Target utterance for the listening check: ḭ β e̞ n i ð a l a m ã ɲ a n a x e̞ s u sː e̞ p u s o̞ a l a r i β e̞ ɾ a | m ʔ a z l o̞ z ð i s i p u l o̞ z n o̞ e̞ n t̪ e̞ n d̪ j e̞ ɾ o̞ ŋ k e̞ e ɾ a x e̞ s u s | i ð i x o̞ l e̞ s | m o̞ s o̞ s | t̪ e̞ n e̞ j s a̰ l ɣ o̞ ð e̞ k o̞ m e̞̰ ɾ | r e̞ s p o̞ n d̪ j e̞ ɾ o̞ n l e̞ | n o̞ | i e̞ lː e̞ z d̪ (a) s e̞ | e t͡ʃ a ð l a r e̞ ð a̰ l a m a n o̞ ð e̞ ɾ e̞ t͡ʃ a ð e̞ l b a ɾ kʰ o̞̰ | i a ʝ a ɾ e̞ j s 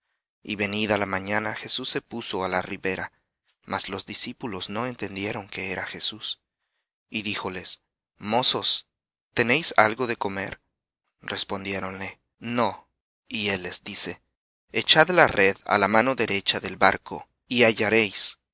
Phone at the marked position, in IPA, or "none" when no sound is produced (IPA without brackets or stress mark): i